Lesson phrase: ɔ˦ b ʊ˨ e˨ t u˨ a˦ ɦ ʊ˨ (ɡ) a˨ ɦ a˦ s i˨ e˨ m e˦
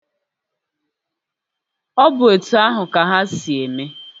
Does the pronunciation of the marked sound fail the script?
yes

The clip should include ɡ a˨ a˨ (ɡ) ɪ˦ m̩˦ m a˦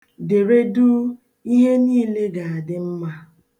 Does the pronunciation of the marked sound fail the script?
yes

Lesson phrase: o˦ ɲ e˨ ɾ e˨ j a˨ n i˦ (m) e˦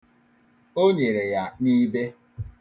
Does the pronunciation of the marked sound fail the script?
yes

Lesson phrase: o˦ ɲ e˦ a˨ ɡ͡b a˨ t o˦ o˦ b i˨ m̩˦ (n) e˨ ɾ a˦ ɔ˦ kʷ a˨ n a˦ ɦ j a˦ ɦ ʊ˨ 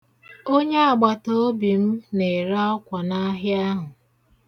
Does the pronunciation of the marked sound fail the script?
no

